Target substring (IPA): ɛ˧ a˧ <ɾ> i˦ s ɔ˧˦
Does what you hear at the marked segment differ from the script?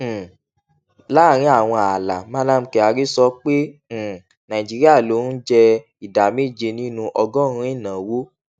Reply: no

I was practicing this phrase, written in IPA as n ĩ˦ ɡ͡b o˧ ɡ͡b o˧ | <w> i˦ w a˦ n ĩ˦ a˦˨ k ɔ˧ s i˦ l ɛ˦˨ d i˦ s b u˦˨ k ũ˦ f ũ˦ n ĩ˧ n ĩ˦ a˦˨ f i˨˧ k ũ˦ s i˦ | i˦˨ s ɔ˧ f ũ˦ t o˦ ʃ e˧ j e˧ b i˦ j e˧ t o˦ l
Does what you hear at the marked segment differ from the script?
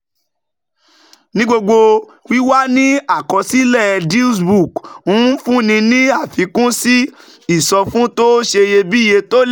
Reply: no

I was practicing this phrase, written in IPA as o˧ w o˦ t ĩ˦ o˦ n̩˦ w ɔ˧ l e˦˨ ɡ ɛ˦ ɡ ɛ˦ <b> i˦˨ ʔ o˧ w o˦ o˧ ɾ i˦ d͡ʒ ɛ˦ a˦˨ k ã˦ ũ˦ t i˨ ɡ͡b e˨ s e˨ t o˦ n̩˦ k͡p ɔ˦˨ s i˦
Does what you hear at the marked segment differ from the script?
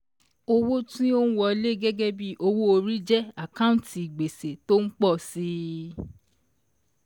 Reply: no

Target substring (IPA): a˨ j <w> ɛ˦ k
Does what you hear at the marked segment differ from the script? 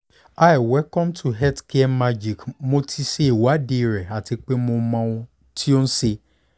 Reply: no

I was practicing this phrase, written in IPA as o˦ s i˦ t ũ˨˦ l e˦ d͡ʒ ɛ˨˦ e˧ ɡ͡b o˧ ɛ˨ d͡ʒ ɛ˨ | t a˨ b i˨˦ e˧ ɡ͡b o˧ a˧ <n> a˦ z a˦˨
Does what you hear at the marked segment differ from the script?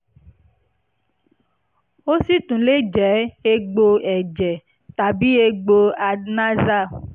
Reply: no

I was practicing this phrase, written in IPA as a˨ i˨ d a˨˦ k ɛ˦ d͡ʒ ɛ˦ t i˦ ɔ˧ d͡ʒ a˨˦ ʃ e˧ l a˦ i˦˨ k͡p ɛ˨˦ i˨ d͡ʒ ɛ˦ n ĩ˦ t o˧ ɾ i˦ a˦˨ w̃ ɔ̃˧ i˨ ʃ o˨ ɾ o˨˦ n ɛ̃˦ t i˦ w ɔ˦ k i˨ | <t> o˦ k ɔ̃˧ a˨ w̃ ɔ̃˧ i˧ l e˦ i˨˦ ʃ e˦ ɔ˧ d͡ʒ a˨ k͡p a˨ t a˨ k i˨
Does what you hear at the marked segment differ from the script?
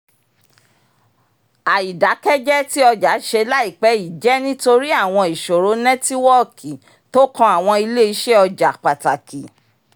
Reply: no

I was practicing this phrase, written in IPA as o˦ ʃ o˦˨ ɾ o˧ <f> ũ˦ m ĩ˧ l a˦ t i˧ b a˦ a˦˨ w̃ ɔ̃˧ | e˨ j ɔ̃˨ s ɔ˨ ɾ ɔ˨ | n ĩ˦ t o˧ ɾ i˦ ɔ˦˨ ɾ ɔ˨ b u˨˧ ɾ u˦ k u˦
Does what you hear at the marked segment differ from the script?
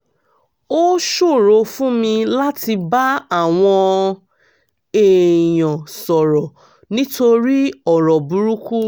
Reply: no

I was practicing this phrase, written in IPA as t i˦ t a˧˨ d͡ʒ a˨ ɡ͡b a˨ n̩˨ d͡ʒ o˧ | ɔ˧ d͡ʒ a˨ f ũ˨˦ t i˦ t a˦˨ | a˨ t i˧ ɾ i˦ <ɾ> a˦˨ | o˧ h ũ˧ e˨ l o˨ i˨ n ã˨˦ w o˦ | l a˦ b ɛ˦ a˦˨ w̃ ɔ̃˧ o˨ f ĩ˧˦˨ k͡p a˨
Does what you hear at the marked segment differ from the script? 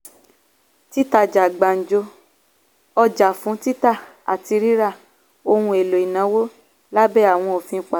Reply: no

